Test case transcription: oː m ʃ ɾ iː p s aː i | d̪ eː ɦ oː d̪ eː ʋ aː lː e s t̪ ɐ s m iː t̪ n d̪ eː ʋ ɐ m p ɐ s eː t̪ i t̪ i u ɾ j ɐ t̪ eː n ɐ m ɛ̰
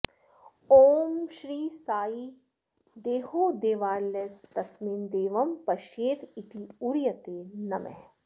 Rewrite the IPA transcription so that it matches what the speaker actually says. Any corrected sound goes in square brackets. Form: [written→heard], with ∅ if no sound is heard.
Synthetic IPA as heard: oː m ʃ ɾ iː [p→∅] s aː i | d̪ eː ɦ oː d̪ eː ʋ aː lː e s t̪ ɐ s m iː [t̪→∅] n d̪ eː ʋ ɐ m p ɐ [s→ʃ] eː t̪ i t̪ i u ɾ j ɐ t̪ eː n ɐ m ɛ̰